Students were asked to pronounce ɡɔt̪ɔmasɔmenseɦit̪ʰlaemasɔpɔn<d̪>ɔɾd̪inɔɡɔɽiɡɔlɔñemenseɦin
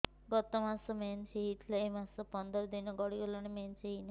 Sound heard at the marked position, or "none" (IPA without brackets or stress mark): d̪